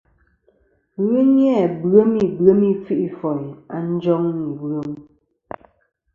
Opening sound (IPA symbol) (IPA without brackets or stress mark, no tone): ɣ